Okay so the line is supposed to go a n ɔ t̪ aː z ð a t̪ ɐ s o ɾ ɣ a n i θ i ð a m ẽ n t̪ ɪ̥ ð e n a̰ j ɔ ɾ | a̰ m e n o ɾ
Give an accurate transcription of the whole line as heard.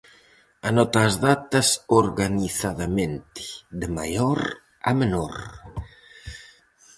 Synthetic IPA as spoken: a n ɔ t̪ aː z ð a t̪ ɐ s o ɾ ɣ a n i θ a ð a m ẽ n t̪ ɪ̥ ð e m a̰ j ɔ ɾ | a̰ m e n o ɾ